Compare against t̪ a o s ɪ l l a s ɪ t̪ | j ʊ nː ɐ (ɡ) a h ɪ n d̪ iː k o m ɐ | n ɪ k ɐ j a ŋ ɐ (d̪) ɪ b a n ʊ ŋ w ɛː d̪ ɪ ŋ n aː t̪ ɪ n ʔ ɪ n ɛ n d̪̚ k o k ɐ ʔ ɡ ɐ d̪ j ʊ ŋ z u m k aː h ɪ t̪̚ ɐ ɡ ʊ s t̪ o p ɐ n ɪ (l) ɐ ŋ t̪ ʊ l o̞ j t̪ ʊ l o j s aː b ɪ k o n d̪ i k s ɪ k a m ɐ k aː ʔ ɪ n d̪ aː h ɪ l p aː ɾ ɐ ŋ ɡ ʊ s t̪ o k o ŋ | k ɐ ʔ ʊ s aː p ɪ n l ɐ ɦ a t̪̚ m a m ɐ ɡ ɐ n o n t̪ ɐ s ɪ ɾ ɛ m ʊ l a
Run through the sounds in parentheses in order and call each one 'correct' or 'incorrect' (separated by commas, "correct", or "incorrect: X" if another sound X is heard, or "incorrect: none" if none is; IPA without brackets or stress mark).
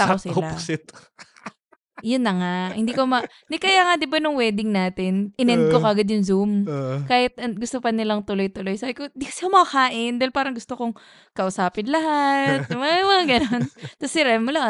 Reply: incorrect: ŋ, correct, correct